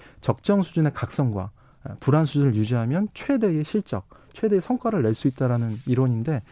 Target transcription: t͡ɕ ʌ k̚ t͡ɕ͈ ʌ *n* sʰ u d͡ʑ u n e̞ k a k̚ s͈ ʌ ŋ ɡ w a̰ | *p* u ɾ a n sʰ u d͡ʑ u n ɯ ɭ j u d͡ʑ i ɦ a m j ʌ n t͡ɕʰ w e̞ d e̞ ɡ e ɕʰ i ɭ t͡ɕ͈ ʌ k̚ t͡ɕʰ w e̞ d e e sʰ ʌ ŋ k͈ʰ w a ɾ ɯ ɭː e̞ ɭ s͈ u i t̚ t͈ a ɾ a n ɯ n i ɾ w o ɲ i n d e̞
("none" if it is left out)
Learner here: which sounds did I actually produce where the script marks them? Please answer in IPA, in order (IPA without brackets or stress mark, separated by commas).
ŋ, p